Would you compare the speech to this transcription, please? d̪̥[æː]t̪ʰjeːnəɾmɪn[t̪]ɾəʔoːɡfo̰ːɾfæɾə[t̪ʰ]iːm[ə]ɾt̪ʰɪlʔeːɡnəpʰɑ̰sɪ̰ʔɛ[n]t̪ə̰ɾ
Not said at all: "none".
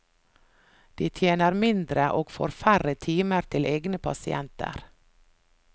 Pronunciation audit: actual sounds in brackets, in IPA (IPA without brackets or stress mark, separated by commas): iː, d̪, t̪ʰ, ə, n